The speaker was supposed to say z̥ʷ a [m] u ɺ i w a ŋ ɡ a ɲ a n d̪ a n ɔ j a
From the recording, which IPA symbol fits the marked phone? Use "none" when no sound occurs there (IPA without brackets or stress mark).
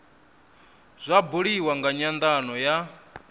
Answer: b